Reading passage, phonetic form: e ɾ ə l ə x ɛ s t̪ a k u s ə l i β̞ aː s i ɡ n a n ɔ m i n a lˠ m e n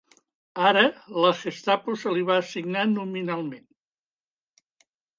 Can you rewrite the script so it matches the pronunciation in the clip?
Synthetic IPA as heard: a ɾ ə l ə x e s t̪ a p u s ə l i β̞ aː s i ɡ n a n u m i n a lˠ m e n